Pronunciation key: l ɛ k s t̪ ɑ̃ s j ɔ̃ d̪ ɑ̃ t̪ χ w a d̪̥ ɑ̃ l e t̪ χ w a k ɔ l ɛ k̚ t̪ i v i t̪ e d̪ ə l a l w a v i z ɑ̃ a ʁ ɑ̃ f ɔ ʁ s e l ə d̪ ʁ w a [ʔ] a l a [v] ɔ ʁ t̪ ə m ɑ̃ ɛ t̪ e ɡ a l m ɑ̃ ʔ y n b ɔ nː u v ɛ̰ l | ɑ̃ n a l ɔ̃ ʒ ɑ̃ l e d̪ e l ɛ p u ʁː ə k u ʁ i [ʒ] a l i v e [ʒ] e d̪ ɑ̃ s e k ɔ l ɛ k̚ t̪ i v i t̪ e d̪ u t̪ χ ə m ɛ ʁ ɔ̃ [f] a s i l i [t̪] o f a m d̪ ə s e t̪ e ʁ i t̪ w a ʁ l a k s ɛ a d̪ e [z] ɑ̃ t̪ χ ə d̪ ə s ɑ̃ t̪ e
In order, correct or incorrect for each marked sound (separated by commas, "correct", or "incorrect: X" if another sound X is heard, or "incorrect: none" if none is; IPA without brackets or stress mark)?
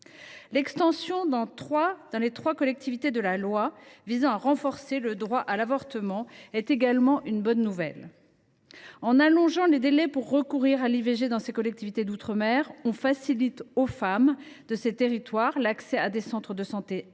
correct, correct, incorrect: ʁ, correct, correct, correct, incorrect: s